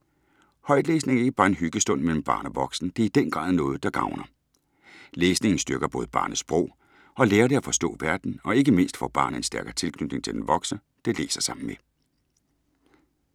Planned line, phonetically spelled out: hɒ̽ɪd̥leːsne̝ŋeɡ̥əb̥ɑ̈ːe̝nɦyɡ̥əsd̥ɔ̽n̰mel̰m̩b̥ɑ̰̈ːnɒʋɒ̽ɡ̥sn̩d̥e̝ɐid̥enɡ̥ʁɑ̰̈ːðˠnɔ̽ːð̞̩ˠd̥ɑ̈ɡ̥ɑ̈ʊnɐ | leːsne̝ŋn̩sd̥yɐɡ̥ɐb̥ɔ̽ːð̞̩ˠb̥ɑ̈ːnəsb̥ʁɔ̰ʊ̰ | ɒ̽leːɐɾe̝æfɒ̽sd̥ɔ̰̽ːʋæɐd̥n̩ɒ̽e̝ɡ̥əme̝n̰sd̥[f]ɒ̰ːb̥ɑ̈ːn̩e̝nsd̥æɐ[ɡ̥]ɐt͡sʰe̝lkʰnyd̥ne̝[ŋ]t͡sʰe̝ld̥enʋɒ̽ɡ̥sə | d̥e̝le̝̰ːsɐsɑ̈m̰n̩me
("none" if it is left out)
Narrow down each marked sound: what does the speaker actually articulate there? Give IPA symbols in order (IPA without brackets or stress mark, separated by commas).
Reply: f, ɡ̥, ŋ